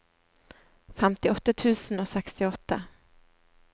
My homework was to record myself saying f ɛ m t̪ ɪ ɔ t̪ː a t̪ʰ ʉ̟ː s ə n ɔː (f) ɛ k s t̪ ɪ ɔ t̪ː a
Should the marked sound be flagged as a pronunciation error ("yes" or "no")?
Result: yes